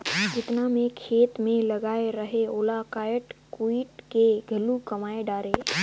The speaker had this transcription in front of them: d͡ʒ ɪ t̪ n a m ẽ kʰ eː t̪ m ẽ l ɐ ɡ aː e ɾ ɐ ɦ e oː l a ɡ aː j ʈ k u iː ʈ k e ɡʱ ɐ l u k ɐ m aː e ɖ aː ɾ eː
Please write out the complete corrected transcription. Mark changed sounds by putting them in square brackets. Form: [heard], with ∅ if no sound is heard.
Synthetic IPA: d͡ʒ ɪ t̪ n a m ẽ kʰ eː t̪ m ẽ l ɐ ɡ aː e ɾ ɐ ɦ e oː l a [k] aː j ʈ k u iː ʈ k e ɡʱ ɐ l u k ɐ m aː e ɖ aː ɾ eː